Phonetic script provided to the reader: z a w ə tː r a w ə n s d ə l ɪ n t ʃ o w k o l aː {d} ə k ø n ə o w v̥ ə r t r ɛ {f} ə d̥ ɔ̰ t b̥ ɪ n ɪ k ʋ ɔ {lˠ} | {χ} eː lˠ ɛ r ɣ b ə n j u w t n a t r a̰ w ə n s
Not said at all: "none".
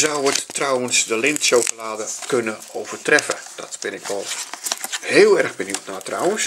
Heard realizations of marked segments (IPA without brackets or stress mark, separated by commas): d, f, lˠ, h